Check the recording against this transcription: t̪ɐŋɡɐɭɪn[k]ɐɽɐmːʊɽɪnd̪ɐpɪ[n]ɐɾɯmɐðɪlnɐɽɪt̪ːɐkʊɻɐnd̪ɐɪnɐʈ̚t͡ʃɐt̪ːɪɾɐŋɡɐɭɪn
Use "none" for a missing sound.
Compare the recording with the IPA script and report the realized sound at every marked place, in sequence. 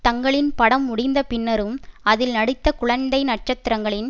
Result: p, nː

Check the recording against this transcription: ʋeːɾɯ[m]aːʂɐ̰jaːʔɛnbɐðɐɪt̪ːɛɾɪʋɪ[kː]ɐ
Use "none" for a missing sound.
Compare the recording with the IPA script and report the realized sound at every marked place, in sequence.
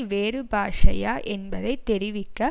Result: b, kː

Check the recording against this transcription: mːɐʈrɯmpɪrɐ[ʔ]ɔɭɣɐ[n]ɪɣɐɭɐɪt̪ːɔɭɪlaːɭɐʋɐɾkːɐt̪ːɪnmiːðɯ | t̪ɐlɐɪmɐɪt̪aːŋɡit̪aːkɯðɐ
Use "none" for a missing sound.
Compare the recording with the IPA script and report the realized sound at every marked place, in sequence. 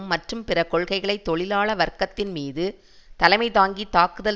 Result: k, none

